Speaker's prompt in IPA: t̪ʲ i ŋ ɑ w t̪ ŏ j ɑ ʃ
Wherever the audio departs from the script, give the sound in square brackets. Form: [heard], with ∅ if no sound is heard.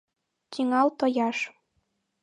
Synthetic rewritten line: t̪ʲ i ŋ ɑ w t̪ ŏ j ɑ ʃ